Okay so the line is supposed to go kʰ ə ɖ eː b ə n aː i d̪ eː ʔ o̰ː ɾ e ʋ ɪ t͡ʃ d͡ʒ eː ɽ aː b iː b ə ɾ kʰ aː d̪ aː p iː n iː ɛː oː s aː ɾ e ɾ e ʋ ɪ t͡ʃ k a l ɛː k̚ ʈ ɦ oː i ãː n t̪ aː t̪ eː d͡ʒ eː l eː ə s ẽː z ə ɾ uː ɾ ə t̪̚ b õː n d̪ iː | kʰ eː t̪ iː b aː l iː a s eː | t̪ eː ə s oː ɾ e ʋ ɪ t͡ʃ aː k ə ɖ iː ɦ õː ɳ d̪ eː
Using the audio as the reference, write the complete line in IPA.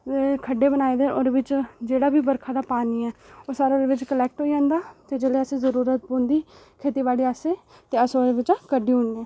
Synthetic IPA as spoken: kʰ ə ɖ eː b ə n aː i d̪ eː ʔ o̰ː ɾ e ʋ ɪ t͡ʃ d͡ʒ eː ɽ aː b iː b ə ɾ kʰ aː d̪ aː p aː n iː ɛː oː s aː ɾ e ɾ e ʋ ɪ t͡ʃ k ə l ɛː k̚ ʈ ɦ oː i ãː n d̪ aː t̪ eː d͡ʒ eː l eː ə s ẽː z ə ɾ uː ɾ ə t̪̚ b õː n d̪ iː | kʰ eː t̪ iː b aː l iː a s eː | t̪ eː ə s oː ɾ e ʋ ɪ t͡ʃ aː k ə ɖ iː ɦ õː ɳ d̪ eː